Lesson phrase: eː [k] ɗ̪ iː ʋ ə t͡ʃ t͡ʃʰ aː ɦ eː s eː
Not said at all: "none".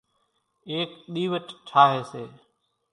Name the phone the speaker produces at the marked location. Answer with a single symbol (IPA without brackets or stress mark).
k